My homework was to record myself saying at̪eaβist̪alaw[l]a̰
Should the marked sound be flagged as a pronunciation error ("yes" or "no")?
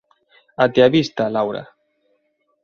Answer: yes